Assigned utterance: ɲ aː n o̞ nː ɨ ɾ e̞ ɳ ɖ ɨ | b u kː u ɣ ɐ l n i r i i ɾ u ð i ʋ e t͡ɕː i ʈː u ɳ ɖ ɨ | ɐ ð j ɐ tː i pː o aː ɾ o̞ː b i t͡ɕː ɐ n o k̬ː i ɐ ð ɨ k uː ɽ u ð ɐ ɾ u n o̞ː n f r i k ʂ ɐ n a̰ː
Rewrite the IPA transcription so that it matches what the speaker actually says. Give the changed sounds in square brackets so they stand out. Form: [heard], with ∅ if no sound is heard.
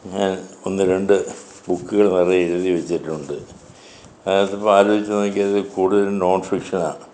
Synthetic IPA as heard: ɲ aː n o̞ nː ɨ ɾ e̞ ɳ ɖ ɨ | b u kː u ɣ ɐ [ɭ] n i r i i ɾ u ð i ʋ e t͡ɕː i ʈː u ɳ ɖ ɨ | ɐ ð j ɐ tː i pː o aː ɾ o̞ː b i t͡ɕː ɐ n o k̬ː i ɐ ð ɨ k uː ɽ u ð ɐ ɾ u n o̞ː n f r i k ʂ ɐ n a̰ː